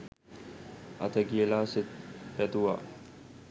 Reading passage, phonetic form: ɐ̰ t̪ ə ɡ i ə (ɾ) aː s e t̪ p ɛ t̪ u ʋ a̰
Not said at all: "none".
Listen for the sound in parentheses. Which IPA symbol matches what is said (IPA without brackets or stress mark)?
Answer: l